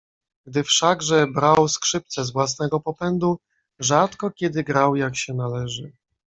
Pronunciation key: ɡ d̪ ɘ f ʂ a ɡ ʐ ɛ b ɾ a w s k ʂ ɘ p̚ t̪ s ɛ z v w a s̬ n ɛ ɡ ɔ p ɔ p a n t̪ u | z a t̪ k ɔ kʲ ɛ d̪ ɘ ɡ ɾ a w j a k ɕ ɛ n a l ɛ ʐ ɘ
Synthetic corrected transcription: ɡ d̪ ɘ f ʂ a ɡ ʐ ɛ b ɾ a w s k ʂ ɘ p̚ t̪ s ɛ z v w a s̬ n ɛ ɡ ɔ p ɔ p ɛ n d̪ u | ʐ a t̪ k ɔ kʲ ɛ d̪ ɘ ɡ ɾ a w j a k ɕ ɛ n a l ɛ ʐ ɘ